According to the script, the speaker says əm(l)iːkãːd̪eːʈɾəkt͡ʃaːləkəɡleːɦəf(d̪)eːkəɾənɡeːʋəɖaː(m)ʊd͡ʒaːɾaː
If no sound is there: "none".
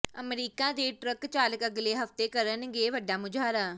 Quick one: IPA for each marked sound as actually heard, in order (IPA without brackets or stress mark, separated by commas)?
ɾ, t̪, m